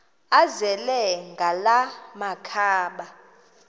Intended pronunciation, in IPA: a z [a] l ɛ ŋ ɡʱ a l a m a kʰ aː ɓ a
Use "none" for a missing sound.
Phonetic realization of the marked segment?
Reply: ɛ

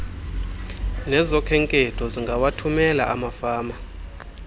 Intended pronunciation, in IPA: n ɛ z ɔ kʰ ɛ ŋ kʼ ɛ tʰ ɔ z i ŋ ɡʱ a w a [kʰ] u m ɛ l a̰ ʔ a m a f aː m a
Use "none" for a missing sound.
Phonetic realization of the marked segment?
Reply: tʰ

